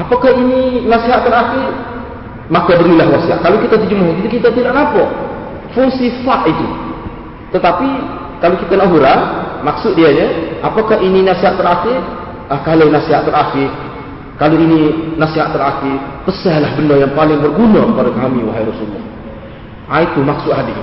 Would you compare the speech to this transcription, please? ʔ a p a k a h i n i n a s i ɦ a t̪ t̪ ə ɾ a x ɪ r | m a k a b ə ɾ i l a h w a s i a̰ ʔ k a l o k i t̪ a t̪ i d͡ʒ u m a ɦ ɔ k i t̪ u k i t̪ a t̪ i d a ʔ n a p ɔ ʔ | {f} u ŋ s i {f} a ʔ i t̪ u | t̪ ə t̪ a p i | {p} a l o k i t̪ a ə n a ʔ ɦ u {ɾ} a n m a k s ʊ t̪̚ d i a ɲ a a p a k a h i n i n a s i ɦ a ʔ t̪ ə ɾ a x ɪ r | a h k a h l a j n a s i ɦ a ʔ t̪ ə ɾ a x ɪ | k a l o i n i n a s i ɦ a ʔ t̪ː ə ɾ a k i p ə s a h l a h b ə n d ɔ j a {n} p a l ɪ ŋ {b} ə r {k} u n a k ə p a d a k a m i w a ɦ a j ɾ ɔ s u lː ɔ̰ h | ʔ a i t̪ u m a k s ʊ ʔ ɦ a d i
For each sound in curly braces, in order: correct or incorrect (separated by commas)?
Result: correct, correct, incorrect, correct, incorrect, correct, incorrect